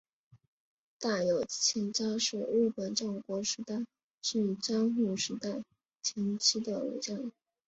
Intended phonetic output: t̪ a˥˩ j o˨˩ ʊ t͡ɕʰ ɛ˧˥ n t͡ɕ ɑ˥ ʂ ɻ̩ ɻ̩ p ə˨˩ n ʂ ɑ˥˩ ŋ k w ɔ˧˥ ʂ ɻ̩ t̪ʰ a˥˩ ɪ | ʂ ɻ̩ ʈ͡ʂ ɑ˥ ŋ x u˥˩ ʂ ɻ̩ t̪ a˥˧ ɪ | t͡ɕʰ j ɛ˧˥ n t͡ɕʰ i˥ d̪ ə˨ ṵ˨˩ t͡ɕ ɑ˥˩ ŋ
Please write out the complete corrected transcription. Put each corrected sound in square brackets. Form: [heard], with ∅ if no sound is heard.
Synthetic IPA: t̪ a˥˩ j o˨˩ ʊ t͡ɕʰ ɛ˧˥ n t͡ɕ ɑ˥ ʂ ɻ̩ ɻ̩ p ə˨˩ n [ʈ͡ʂ] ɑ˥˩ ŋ k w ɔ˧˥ ʂ ɻ̩ [t̪] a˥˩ ɪ | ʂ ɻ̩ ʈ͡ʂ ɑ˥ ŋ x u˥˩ ʂ ɻ̩ t̪ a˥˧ ɪ | t͡ɕʰ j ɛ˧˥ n t͡ɕʰ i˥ d̪ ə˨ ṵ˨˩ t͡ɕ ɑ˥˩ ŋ